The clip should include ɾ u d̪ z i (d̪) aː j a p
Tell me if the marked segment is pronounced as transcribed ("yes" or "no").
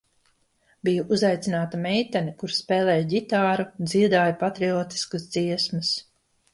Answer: yes